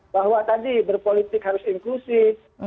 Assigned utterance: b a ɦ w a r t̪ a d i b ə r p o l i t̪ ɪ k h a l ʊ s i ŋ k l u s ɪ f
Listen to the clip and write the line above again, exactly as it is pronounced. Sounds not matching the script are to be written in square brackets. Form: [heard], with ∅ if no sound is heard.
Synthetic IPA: b a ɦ w a [∅] t̪ a d i b ə r p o l i t̪ ɪ k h a [ɾ] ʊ s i ŋ k l u s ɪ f

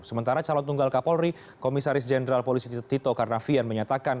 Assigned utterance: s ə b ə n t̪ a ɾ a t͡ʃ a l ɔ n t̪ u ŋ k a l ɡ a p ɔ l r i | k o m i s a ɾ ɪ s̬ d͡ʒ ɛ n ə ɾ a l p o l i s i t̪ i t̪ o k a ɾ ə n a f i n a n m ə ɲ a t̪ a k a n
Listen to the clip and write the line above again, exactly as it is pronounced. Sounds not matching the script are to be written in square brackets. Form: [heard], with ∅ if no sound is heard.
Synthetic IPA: s ə [m] ə n t̪ a ɾ a t͡ʃ a l ɔ n t̪ u ŋ [ɡ] a l [k] a p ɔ l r i | k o m i s a ɾ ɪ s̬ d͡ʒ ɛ n ə ɾ a l p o l i s i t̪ i t̪ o k a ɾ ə n a f i [∅] a n m ə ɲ a t̪ a k a n

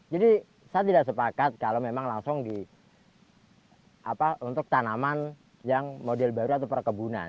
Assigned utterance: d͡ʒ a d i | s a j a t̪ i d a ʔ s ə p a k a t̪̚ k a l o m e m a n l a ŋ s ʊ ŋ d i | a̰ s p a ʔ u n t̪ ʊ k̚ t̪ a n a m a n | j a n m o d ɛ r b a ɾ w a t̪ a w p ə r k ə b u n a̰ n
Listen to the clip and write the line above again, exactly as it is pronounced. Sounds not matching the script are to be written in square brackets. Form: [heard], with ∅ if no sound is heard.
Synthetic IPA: d͡ʒ a d i | s a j a t̪ i d a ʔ s ə p a k a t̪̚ k a l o m e m a [ŋ] l a ŋ s ʊ ŋ d i | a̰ [∅] p a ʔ u n t̪ ʊ k̚ t̪ a n a m a n | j a [ŋ] m o d ɛ [l] b a ɾ [u] a t̪ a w p ə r k ə b u n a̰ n

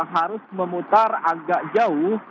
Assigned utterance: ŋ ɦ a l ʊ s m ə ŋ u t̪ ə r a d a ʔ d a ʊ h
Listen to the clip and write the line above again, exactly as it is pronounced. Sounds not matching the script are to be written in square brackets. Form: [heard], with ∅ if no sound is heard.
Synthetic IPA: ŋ ɦ a [ɾ] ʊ s m ə [m] u t̪ [a] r a [ɡ] a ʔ [d͡ʒ] a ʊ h

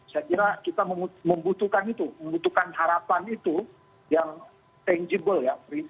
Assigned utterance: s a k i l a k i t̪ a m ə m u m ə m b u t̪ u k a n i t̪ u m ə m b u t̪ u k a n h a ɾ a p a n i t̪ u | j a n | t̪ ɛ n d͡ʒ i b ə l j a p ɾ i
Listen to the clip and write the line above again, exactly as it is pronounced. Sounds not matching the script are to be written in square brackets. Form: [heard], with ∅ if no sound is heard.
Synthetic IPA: s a k i [ɾ] a k i t̪ a m ə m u m ə m b u t̪ u k a n i t̪ u m ə m b u t̪ u k a n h a ɾ a p a n i t̪ u | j a [ŋ] | t̪ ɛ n d͡ʒ i b ə l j a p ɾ i

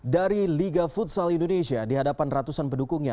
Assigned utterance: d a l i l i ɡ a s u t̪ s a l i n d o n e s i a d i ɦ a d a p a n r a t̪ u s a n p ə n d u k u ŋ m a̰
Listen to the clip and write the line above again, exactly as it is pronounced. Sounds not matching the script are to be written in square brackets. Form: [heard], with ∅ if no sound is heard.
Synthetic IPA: d a [ɾ] i l i ɡ a [f] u t̪ s a l i n d o n e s i a d i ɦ a d a p a n r a t̪ u s a n p ə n d u k u ŋ [ɲ] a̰

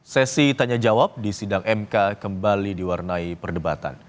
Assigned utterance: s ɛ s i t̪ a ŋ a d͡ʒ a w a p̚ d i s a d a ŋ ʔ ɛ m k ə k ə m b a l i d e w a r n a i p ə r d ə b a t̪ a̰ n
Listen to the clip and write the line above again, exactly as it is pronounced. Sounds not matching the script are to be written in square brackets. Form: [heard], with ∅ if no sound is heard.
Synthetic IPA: s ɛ s i t̪ a [ɲ] a d͡ʒ a w a p̚ d i s [i] d a ŋ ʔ ɛ m k [a] k ə m b a l i d [i] w a r n a i p ə r d ə b a t̪ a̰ n

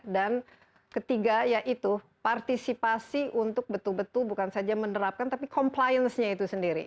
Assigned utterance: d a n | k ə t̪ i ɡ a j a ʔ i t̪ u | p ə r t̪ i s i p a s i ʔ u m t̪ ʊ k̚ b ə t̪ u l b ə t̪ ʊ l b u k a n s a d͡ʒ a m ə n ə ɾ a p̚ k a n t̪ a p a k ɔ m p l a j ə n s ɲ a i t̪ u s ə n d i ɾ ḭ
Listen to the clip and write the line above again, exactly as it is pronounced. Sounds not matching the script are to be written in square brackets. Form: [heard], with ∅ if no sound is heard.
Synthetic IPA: d a n | k ə t̪ i ɡ a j a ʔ i t̪ u | p [a] r t̪ i s i p a s i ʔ u [n] t̪ ʊ k̚ b ə t̪ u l b ə t̪ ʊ l b u k a n s a d͡ʒ a m ə n ə ɾ a p̚ k a n t̪ a p [i] k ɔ m p l a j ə n s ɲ a i t̪ u s ə n d i ɾ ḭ

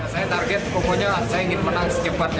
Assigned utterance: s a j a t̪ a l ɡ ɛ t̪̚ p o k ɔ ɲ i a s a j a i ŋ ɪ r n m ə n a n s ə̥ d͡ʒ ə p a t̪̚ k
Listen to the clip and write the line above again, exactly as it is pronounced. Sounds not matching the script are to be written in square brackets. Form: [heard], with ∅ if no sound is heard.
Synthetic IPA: s a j a t̪ a [r] ɡ ɛ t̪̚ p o k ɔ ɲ [a] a s a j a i ŋ ɪ [∅] n m ə n a [ŋ] s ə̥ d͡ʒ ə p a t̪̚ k

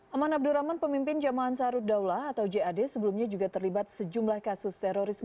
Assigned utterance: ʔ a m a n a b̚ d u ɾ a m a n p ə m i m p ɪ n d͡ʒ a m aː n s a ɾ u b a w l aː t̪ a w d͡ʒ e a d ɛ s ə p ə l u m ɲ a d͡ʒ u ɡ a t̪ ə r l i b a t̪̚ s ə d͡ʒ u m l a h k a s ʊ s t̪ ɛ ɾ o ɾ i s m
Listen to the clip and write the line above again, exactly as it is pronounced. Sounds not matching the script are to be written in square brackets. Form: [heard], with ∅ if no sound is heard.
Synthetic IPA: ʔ a m a n a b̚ d u ɾ a m a n p ə m i m p ɪ n d͡ʒ a m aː n s a ɾ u [d] a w l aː t̪ a w d͡ʒ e a d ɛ s ə [b] ə l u m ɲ a d͡ʒ u ɡ a t̪ ə r l i b a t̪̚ s ə d͡ʒ u m l a h k a s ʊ s t̪ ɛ ɾ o ɾ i s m

